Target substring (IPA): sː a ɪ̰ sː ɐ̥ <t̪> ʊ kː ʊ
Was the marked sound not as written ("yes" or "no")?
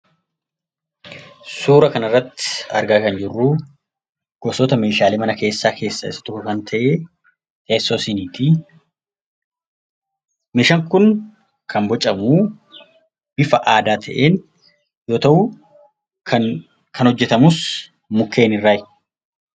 no